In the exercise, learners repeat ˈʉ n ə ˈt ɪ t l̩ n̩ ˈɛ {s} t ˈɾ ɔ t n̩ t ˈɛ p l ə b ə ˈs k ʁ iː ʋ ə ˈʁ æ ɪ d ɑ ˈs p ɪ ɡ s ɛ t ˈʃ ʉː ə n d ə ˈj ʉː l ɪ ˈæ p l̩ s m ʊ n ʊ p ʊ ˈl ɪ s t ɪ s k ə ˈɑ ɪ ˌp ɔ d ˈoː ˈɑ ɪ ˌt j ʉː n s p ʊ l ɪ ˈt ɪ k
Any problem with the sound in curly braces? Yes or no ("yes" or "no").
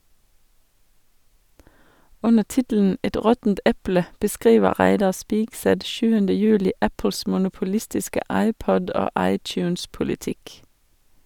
yes